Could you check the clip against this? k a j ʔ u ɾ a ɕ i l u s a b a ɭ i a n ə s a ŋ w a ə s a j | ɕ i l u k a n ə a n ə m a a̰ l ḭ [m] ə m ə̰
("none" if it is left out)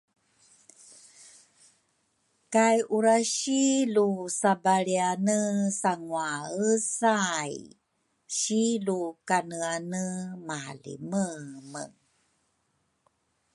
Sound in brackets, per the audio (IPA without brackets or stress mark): m